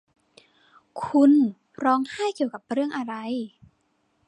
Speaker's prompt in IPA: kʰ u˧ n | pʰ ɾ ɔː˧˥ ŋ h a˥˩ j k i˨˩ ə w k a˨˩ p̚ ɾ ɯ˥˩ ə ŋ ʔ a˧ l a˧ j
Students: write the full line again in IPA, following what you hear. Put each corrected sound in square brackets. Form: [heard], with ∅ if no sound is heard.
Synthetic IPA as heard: kʰ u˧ n | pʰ ɾ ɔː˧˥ ŋ h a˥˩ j k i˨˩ ə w k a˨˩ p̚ ɾ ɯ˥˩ ə ŋ ʔ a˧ [ɾ] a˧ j